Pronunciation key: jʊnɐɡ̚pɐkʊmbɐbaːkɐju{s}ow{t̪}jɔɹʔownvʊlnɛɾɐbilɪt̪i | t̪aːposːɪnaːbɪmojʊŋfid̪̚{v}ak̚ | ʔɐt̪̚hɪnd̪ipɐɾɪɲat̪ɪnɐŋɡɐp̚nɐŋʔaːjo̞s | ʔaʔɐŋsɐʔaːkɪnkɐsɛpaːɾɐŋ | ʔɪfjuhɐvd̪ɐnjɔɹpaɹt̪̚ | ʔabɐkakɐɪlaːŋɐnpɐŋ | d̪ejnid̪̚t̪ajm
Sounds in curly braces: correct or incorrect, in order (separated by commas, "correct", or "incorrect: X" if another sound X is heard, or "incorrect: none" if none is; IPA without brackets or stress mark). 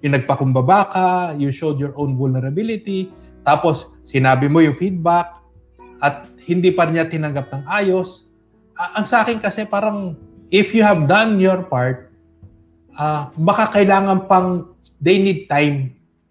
incorrect: ʃ, incorrect: d̪, incorrect: b